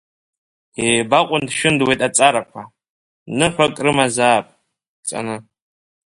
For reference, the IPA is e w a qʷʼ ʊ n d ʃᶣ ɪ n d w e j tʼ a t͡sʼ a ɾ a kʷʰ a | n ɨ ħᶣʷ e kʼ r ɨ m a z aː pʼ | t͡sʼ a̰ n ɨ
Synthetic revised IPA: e b a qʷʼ ʊ n d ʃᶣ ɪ n d w e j tʼ a t͡sʼ a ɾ a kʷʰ a | n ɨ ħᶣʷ a kʼ r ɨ m a z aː pʼ | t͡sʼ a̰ n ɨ

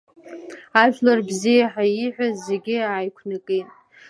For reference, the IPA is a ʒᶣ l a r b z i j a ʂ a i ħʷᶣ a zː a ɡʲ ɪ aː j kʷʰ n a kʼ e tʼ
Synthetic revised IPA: a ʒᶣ l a r b z i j a ħ a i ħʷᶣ a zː e ɡʲ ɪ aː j kʷʰ n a kʼ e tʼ

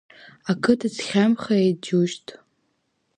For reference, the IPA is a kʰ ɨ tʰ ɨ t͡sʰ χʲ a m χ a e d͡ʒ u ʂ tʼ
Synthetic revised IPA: a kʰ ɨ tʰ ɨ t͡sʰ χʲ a m χ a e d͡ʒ u ʃ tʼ

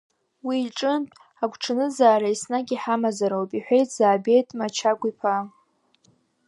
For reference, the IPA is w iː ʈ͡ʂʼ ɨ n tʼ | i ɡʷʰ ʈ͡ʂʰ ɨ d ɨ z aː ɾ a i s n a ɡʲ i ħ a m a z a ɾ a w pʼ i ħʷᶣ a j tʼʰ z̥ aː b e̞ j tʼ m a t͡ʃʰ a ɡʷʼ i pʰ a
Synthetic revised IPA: w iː ʈ͡ʂʼ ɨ n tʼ | a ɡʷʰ ʈ͡ʂʰ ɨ n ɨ z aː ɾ a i s n a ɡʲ i ħ a m a z a ɾ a w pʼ i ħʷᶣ e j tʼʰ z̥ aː b e̞ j tʼ m a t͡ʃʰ a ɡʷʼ i pʰ a

